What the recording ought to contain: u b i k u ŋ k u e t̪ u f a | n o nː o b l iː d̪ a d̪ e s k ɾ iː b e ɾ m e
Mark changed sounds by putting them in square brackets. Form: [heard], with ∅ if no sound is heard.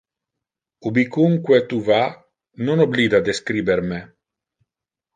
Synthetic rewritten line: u b i k u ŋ k [w] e t̪ u [v] a | n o [n] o b l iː d̪ a d̪ e s k ɾ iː b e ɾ m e

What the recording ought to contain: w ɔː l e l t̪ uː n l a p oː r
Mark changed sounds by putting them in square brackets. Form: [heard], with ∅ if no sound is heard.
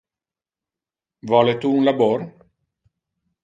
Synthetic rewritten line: [v] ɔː l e [∅] t̪ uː n l a [b] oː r

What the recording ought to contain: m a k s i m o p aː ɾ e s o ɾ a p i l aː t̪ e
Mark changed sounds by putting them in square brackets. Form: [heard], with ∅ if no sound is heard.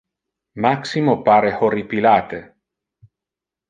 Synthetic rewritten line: m a k s i m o p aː ɾ e [h] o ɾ [i] p i l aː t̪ e

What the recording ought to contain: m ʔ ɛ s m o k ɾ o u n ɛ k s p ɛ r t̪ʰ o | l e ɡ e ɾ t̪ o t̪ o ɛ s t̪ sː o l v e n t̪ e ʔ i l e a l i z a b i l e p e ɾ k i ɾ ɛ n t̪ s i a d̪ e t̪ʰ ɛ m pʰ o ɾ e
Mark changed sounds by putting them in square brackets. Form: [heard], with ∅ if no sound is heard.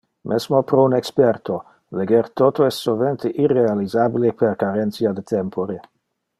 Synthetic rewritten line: m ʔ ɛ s m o [p] ɾ o u n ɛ k s p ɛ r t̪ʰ o | l e ɡ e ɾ t̪ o t̪ o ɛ s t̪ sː o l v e n t̪ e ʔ i [r] e a l i z a b i l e p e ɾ k [a] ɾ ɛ n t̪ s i a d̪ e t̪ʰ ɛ m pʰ o ɾ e

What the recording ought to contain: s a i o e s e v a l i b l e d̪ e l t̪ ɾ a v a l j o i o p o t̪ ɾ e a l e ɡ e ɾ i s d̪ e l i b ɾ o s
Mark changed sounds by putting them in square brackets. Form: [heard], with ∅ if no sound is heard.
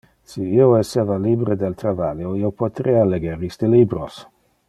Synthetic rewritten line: s [i] i o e s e v a l i b [ɾ] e d̪ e l t̪ ɾ a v a l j o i o p o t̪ ɾ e a l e ɡ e ɾ i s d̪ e l i b ɾ o s

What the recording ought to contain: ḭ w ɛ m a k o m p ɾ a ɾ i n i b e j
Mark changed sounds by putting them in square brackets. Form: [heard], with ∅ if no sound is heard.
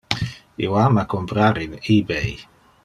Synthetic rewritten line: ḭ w [a] m a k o m p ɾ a ɾ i n i b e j

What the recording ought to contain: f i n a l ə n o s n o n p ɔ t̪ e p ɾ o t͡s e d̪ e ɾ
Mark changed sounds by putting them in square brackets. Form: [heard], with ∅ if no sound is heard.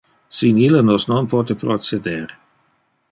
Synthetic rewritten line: [s] i n [i] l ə n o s n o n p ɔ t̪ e p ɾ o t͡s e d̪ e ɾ

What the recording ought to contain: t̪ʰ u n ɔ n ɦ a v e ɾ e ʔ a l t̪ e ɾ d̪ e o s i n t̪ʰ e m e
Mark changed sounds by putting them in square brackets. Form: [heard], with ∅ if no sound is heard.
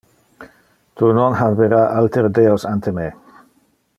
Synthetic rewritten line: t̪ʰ u n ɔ n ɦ a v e ɾ [a] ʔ a l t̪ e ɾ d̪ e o s [a] n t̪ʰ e m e

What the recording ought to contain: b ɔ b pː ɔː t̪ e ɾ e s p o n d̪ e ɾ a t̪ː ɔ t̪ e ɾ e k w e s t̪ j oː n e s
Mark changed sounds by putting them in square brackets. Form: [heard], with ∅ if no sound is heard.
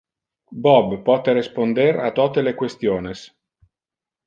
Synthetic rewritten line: b ɔ b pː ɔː t̪ e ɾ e s p o n d̪ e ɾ a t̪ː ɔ t̪ e [l] e k w e s t̪ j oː n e s

